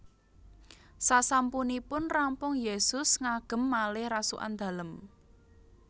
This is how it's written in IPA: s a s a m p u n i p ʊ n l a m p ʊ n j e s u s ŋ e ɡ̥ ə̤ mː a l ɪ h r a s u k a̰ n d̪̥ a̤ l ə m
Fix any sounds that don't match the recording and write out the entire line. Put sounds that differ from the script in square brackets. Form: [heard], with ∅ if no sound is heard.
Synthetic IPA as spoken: s a s a m p u n i p ʊ n [r] a m p ʊ [ŋ] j e s [ʊ] s ŋ [a] ɡ̥ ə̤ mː a l ɪ h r a s u [ʔ] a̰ n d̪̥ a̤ l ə m